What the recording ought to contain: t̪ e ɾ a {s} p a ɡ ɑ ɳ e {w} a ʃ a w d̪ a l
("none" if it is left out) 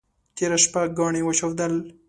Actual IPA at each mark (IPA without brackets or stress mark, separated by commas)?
ʃ, w